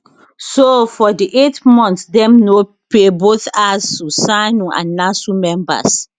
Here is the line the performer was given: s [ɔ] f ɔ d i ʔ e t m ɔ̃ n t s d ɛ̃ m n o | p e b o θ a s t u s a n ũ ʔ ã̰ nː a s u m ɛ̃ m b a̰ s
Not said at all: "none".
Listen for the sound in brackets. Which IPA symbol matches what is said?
o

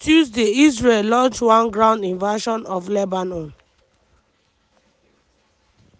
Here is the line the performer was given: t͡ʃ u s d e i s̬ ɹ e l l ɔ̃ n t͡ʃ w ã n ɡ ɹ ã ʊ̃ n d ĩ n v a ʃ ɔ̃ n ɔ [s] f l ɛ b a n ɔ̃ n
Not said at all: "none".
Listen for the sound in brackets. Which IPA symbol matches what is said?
none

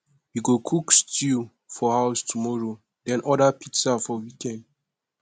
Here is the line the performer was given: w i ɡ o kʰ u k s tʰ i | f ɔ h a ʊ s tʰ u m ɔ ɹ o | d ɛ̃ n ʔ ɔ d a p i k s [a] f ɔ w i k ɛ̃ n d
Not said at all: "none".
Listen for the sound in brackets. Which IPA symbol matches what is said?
a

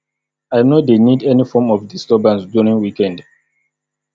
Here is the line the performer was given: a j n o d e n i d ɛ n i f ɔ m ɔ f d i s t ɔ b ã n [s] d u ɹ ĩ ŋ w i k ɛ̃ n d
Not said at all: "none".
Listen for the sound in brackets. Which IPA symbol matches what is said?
s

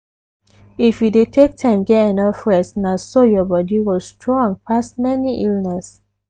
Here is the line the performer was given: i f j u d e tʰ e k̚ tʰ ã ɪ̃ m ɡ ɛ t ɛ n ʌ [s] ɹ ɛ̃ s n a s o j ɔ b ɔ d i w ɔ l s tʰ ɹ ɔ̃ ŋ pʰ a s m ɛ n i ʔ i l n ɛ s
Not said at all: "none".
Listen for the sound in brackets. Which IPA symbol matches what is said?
f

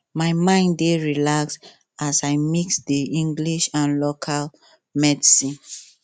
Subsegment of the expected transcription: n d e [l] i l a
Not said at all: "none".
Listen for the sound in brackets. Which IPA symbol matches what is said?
ɹ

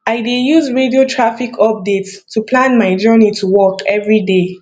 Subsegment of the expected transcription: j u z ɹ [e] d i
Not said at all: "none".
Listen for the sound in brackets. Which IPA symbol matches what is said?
e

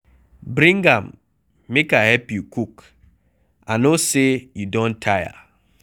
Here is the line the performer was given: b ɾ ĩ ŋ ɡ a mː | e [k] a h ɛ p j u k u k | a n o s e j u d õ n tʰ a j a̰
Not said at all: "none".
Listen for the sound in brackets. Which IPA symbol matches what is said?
k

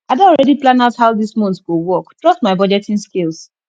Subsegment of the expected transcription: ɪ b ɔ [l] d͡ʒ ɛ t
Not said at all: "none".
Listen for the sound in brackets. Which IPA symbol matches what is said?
none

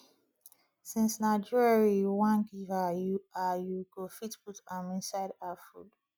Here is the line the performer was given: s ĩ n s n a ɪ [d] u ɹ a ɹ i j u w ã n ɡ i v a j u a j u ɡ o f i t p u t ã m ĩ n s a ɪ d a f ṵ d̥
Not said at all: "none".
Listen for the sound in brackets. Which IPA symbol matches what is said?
d͡ʒ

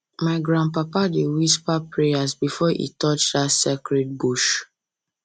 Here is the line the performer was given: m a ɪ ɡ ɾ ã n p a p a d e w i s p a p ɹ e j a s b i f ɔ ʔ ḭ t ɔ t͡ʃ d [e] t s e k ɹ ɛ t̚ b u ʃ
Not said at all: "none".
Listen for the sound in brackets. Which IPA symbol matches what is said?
a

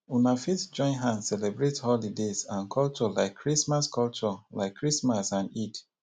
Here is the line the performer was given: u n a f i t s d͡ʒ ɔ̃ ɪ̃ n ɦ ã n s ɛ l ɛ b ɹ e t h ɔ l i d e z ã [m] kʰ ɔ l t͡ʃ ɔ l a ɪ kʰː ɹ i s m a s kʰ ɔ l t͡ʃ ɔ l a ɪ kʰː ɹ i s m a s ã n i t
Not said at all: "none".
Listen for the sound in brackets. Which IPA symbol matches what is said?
n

